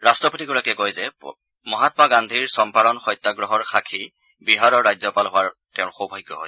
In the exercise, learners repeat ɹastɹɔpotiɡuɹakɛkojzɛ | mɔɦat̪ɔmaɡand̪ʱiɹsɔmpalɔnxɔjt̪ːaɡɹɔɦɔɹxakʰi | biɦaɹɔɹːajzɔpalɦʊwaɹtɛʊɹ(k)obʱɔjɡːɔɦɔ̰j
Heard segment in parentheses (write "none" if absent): x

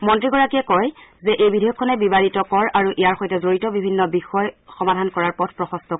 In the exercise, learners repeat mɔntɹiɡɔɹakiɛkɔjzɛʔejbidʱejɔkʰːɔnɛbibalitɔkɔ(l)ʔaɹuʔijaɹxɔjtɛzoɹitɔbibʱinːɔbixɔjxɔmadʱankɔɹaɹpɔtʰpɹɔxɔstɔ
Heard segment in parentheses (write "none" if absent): ɹ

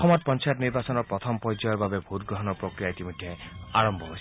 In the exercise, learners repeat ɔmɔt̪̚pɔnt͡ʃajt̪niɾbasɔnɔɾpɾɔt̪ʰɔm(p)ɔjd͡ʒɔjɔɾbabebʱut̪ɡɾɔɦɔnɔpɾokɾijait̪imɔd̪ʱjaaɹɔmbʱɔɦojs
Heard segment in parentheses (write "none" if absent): p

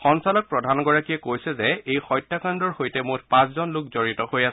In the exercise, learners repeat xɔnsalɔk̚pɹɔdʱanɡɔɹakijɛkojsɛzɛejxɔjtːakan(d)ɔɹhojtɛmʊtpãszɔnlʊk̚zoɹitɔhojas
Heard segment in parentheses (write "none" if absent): d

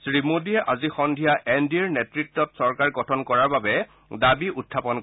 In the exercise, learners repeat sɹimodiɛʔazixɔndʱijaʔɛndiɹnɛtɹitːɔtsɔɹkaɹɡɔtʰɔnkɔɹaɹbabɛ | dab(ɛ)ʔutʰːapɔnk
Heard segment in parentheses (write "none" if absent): i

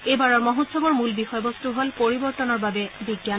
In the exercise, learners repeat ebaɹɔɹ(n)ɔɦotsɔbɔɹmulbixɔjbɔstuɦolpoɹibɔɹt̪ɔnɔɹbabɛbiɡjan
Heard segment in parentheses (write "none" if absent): m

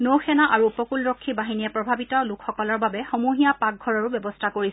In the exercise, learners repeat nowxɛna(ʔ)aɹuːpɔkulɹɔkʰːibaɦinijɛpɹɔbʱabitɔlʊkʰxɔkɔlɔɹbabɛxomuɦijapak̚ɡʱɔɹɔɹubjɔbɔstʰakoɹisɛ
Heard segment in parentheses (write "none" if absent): ʔ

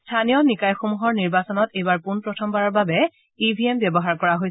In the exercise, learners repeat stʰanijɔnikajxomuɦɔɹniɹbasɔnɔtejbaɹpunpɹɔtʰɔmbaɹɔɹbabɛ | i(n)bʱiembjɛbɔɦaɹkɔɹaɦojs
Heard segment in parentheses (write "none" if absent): none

